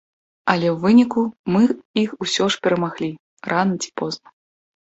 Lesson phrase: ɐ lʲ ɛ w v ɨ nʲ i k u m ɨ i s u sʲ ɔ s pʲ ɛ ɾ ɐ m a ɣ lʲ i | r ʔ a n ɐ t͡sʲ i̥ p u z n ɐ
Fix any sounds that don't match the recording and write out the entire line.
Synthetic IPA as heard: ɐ lʲ ɛ w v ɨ nʲ i k u m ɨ i x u sʲ ɔ ʂ pʲ ɛ ɾ ɐ m a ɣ lʲ i | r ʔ a n ɐ t͡sʲ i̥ p ɔ z n ɐ